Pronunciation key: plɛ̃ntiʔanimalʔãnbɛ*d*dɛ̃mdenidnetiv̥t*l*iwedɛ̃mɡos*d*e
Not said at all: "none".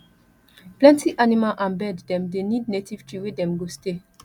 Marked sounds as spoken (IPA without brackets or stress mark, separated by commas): d, ɹ, t